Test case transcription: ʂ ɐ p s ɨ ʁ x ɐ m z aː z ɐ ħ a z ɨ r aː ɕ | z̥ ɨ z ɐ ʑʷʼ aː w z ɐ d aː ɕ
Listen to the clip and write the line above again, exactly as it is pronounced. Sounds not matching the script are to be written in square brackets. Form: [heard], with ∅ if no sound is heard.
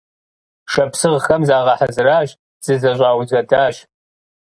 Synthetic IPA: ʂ ɐ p s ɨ ʁ x ɐ m z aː [ʁ] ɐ ħ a z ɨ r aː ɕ | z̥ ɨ z ɐ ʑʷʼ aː w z ɐ d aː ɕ